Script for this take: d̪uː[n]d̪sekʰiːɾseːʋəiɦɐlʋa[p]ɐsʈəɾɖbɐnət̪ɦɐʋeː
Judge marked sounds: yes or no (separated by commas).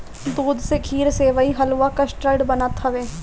no, no